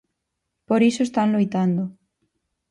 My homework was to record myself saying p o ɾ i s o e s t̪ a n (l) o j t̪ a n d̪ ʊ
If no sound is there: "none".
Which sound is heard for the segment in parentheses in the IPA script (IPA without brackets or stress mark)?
l